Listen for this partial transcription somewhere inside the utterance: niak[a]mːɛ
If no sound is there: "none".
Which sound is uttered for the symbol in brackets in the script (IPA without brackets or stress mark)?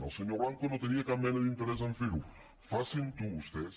a